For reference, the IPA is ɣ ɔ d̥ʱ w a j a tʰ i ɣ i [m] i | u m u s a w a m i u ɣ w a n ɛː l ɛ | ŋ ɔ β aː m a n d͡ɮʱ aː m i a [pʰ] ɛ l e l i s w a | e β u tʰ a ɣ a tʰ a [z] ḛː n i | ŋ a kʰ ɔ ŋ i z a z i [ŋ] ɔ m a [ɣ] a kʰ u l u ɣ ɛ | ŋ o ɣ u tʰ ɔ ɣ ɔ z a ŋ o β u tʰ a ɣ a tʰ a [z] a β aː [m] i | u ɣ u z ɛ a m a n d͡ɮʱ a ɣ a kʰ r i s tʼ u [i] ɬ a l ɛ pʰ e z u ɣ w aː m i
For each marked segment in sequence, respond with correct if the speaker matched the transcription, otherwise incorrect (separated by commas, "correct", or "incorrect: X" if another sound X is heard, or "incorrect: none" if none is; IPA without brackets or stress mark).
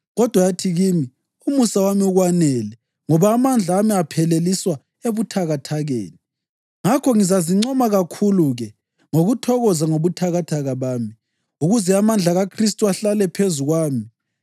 correct, correct, incorrect: ɣ, incorrect: ŋ͡ǀ, correct, incorrect: ɣ, correct, incorrect: a